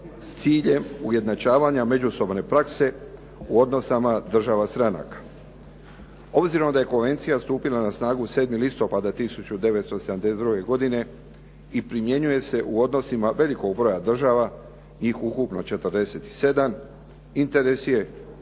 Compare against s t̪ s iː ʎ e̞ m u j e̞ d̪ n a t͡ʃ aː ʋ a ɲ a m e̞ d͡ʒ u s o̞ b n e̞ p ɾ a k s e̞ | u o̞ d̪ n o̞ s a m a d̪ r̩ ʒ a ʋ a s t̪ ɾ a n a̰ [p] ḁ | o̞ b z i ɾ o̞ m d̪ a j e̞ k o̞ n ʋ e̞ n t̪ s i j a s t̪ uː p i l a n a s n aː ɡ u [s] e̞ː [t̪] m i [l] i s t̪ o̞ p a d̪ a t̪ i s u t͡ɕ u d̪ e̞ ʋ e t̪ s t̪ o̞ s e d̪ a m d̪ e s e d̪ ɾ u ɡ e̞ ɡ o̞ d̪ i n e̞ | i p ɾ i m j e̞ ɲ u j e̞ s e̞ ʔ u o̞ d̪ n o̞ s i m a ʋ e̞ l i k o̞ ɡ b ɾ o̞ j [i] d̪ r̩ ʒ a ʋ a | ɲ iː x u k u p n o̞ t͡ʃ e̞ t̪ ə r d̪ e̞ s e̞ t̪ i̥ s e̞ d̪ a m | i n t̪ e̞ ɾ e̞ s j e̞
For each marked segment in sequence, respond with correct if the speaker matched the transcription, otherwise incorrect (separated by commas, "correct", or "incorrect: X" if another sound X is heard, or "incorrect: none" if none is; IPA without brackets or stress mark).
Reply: incorrect: k, correct, incorrect: d̪, correct, incorrect: a